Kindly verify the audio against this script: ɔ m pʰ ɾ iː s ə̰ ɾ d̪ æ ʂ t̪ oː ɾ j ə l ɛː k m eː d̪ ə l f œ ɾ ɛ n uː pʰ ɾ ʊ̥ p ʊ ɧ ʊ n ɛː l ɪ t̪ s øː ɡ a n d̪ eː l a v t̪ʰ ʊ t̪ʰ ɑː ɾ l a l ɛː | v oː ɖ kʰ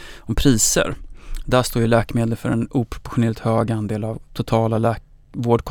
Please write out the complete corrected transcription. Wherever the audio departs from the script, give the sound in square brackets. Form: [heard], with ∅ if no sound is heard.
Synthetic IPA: ɔ m pʰ ɾ iː s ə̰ ɾ d̪ æ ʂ t̪ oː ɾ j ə l ɛː k m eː d̪ ə l f œ ɾ ɛ n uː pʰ ɾ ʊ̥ p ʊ ɧ ʊ n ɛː l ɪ t̪ [h] øː ɡ a n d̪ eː l a v t̪ʰ ʊ t̪ʰ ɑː [∅] l a l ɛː | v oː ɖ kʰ